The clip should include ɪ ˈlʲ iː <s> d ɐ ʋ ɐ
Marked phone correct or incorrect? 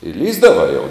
incorrect